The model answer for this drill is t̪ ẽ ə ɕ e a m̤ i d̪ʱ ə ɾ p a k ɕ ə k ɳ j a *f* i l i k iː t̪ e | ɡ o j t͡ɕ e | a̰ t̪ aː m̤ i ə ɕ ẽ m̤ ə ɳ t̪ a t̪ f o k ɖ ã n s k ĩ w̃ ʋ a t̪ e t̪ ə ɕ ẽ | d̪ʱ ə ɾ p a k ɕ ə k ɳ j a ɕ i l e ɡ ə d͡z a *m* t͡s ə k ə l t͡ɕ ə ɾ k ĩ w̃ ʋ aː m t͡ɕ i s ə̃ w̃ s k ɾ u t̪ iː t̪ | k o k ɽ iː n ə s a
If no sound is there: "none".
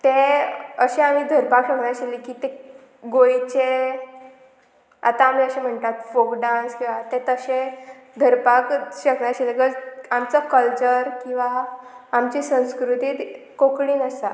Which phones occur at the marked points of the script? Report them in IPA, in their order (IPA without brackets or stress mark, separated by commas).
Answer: ɕ, m